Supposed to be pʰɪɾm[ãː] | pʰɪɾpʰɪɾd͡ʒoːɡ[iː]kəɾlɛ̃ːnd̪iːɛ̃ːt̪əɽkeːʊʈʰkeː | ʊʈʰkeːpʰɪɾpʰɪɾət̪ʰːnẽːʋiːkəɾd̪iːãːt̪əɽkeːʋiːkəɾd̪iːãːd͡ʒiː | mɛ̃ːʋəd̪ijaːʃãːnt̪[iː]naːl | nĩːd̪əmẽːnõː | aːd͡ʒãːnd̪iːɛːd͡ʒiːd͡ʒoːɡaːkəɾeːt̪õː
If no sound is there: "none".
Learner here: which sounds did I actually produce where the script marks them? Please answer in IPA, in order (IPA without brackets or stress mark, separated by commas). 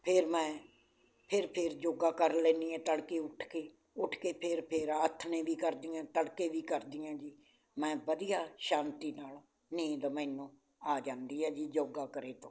ɛ̃ː, aː, iː